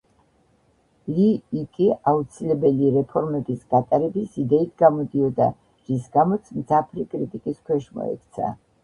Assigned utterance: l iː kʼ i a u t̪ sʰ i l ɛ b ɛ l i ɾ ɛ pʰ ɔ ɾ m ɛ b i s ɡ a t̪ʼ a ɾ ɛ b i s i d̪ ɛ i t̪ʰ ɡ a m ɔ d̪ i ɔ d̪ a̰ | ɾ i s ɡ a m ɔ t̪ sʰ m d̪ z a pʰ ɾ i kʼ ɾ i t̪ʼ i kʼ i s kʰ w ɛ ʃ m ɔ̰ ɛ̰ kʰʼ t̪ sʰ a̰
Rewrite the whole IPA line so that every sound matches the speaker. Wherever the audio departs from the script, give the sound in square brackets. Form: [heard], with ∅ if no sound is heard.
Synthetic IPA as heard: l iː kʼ i a u t̪ sʰ i l ɛ b ɛ l i ɾ ɛ pʰ ɔ ɾ m ɛ b i s ɡ a t̪ʼ a ɾ ɛ b i s i d̪ ɛ i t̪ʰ ɡ a m ɔ d̪ i ɔ d̪ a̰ | ɾ i s ɡ a m ɔ t̪ sʰ m d̪ z a pʰ ɾ i kʼ ɾ i t̪ʼ i kʼ i s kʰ w ɛ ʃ m ɔ̰ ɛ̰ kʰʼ t̪ sʰ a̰

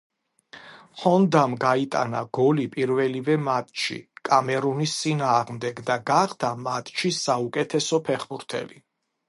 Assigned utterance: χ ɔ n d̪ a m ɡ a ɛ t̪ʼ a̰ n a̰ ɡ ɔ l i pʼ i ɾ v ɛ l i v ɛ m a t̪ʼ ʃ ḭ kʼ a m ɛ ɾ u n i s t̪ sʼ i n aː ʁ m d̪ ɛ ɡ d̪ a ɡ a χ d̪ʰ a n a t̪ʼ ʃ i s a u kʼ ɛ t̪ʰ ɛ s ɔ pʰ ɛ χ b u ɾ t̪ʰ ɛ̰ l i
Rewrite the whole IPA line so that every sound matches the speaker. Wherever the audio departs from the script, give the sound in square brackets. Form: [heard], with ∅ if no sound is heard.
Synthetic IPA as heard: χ ɔ n d̪ a m ɡ a [i] t̪ʼ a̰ n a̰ ɡ ɔ l i pʼ i ɾ v ɛ l i v ɛ m a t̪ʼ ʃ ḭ kʼ a m ɛ ɾ u n i s t̪ sʼ i n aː ʁ m d̪ ɛ ɡ d̪ a ɡ a χ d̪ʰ a [m] a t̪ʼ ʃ i s a u kʼ ɛ t̪ʰ ɛ s ɔ pʰ ɛ χ b u ɾ t̪ʰ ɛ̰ l i

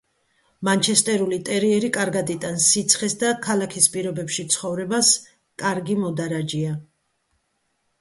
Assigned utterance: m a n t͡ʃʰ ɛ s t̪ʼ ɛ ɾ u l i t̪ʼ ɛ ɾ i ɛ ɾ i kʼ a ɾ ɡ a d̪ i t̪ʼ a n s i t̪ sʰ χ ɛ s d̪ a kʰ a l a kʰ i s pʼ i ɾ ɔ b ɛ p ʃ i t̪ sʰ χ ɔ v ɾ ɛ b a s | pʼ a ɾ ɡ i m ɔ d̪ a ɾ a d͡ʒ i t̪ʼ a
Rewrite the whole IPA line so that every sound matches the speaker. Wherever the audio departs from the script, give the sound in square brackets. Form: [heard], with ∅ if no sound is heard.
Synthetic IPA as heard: m a n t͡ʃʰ ɛ s t̪ʼ ɛ ɾ u l i t̪ʼ ɛ ɾ i ɛ ɾ i kʼ a ɾ ɡ a d̪ i t̪ʼ a n s i t̪ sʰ χ ɛ s d̪ a kʰ a l a kʰ i s pʼ i ɾ ɔ b ɛ p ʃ i t̪ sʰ χ ɔ v ɾ ɛ b a s | [kʼ] a ɾ ɡ i m ɔ d̪ a ɾ a d͡ʒ i [∅] a

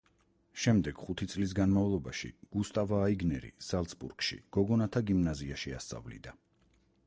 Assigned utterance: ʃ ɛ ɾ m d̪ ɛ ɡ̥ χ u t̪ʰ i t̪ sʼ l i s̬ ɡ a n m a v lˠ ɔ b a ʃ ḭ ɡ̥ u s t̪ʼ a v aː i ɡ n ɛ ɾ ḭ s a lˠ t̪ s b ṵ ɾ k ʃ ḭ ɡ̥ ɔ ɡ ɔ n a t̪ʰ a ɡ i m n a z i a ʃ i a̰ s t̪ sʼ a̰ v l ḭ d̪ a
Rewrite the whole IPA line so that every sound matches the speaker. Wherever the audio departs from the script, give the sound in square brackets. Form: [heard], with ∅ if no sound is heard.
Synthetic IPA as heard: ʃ ɛ [∅] m d̪ ɛ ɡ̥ χ u t̪ʰ i t̪ sʼ l i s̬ ɡ a n m a v lˠ ɔ b a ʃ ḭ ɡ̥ u s t̪ʼ a v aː i ɡ n ɛ ɾ ḭ s a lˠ t̪ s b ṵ ɾ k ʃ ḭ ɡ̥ ɔ ɡ ɔ n a t̪ʰ a ɡ i m n a z i a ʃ i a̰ s t̪ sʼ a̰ v l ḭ d̪ a

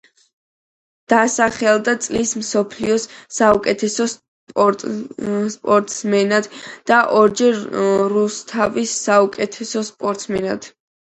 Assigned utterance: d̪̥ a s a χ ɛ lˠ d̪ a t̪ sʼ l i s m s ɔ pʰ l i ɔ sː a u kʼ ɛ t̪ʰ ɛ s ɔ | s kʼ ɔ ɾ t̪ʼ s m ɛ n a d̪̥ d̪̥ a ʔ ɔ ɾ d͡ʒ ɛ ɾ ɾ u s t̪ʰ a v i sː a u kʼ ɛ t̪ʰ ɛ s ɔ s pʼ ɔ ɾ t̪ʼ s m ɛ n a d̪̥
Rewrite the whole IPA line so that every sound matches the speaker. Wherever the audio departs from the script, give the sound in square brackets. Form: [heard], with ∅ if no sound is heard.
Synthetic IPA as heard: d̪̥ a s a χ ɛ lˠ d̪ a t̪ sʼ l i s m s ɔ pʰ l i ɔ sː a u kʼ ɛ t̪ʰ ɛ s ɔ | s [pʼ] ɔ ɾ t̪ʼ s m ɛ n a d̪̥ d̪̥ a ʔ ɔ ɾ d͡ʒ ɛ ɾ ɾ u s t̪ʰ a v i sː a u kʼ ɛ t̪ʰ ɛ s ɔ s pʼ ɔ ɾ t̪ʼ s m ɛ n a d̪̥

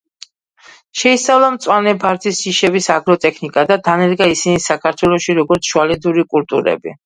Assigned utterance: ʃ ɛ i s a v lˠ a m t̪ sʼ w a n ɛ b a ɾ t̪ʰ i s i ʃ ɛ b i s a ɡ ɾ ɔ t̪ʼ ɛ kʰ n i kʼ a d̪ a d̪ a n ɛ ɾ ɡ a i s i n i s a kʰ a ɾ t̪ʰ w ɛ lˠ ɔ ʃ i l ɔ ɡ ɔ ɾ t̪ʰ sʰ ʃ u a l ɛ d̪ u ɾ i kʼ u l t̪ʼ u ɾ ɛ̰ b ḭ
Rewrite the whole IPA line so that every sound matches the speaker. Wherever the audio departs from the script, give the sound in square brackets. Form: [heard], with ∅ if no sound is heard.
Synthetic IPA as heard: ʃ ɛ i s a v lˠ a m t̪ sʼ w a n ɛ b a ɾ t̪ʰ i s i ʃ ɛ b i s a ɡ ɾ ɔ t̪ʼ ɛ kʰ n i kʼ a d̪ a d̪ a n ɛ ɾ ɡ a i s i n i s a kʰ a ɾ t̪ʰ w ɛ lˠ ɔ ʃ i [ɾ] ɔ ɡ ɔ ɾ [t̪] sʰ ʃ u a l ɛ d̪ u ɾ i kʼ u l t̪ʼ u ɾ ɛ̰ b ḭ

